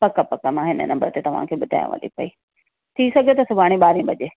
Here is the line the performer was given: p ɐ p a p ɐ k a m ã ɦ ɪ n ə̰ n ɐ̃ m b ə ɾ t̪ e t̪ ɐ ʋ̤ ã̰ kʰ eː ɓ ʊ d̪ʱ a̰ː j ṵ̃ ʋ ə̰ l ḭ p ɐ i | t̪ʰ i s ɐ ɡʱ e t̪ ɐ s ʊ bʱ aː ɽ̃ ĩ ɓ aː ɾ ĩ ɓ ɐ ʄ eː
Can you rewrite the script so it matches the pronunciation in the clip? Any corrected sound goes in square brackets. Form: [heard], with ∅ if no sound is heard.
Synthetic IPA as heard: p ɐ [k] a p ɐ k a m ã ɦ ɪ n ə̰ n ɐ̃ m b ə ɾ t̪ e t̪ ɐ ʋ̤ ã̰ kʰ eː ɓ ʊ d̪ʱ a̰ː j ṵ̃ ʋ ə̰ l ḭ p ɐ i | t̪ʰ i s ɐ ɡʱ e t̪ ɐ s ʊ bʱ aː ɽ̃ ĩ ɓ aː ɾ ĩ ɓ ɐ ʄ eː